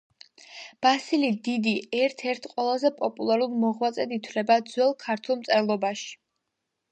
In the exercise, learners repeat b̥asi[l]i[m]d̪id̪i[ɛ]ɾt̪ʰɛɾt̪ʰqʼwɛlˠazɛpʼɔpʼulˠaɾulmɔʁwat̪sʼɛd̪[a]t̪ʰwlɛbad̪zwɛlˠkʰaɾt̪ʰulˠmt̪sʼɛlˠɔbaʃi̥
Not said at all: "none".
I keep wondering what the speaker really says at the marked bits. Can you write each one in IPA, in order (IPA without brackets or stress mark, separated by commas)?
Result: l, none, ɛ, i